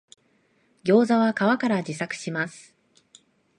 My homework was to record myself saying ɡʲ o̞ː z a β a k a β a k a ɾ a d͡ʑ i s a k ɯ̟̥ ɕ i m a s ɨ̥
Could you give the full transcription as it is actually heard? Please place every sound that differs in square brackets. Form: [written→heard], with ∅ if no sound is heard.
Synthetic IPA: ɡʲ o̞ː z a β a k a β a k a ɾ a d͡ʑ i s a k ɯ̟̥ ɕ i m a s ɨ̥